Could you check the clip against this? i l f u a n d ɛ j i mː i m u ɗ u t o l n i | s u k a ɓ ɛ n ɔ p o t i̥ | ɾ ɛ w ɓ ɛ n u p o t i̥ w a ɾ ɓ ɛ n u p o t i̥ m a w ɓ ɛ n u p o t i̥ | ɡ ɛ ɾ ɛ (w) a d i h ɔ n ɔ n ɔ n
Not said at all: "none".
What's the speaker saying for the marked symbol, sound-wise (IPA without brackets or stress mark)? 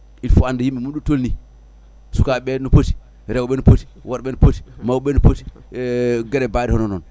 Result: b